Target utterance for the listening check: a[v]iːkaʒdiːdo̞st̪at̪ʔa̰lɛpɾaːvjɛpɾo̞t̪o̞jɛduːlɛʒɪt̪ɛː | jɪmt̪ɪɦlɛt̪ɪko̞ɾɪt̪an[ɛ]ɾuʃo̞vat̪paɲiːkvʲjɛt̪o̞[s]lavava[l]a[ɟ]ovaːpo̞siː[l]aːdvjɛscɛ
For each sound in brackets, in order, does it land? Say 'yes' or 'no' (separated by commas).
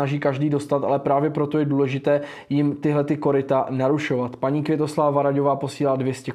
no, no, yes, no, yes, yes